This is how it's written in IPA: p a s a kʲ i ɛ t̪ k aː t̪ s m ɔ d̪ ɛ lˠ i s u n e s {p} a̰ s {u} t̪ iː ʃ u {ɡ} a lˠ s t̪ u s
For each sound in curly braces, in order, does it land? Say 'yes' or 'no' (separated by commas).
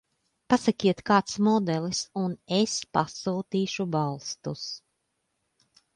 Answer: yes, no, no